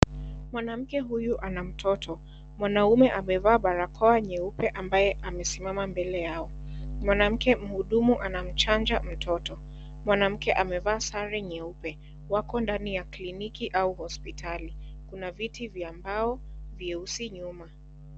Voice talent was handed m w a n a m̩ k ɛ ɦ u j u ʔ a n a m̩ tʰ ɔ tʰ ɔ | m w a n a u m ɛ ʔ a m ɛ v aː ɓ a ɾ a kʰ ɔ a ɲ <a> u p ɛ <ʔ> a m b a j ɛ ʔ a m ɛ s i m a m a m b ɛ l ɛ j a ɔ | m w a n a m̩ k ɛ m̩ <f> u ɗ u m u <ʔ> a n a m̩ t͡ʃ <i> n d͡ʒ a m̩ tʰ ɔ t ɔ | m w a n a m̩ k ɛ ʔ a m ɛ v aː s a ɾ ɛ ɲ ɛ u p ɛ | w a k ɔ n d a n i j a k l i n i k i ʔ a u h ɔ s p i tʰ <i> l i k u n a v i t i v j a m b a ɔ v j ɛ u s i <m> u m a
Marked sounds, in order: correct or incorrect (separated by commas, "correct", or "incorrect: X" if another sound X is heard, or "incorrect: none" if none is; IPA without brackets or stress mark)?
incorrect: ɛ, correct, incorrect: h, correct, incorrect: a, incorrect: a, incorrect: ɲ